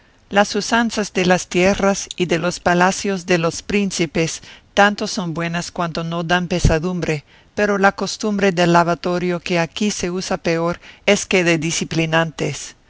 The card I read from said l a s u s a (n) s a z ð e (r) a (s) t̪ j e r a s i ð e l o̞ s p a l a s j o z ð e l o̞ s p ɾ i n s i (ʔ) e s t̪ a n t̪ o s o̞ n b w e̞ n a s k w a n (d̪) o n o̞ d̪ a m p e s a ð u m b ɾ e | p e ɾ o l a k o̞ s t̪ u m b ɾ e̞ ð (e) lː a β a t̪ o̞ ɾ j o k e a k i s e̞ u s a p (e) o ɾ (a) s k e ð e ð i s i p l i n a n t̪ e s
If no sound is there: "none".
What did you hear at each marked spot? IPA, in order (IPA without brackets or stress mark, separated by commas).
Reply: n, l, s, p, t̪, e, e, e